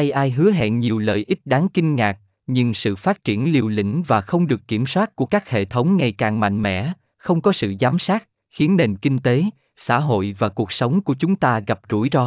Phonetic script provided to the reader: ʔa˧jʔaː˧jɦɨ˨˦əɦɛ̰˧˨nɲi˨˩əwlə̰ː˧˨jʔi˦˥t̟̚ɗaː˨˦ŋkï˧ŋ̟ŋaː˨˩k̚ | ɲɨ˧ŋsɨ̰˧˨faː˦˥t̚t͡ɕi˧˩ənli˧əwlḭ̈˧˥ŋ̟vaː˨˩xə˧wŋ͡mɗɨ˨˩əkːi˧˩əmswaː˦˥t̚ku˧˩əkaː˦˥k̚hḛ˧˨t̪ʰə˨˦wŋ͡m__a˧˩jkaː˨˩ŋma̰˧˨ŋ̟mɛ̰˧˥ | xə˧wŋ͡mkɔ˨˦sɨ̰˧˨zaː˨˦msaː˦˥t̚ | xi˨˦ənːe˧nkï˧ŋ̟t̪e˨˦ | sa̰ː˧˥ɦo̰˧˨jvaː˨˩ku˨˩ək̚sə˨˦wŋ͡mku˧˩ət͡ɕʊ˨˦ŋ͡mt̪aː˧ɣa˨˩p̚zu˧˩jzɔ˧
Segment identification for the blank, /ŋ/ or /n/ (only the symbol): ŋ